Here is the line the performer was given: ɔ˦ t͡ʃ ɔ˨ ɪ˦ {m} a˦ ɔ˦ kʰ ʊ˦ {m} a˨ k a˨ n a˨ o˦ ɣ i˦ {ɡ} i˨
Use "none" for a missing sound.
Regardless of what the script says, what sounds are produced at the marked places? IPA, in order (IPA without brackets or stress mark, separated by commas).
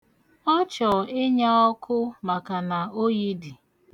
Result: ɲ, m, d